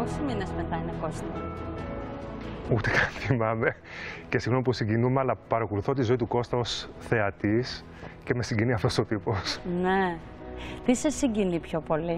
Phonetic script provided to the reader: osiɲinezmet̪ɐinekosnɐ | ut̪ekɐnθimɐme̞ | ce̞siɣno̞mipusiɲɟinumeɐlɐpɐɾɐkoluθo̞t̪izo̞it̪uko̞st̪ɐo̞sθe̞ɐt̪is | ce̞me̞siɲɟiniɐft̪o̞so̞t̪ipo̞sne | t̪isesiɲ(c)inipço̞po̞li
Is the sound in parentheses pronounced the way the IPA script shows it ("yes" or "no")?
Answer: no